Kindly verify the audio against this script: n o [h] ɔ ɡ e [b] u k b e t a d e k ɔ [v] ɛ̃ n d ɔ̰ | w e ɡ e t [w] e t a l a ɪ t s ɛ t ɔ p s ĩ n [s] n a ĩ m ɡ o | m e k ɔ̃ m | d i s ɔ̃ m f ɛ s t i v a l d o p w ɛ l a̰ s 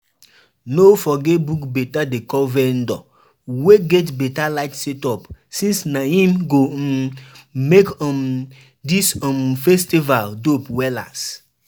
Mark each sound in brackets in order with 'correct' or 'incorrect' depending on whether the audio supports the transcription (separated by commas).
incorrect, correct, correct, incorrect, correct